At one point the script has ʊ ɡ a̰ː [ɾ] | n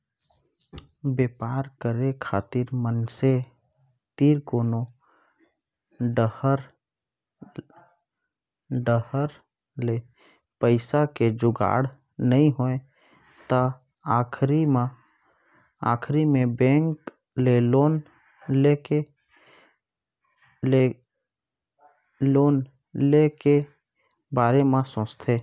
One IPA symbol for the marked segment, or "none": ɽ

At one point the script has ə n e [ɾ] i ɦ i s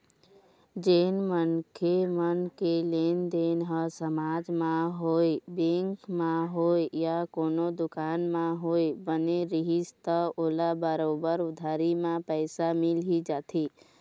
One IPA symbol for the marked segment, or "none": ɾ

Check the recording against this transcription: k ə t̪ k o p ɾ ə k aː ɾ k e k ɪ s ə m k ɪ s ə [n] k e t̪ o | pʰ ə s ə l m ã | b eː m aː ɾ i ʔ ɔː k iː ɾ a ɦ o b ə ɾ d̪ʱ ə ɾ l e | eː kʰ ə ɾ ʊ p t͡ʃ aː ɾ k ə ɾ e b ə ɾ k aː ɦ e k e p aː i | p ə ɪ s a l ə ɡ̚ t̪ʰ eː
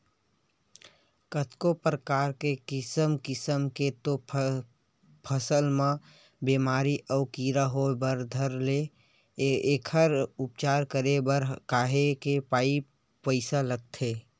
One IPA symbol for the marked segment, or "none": m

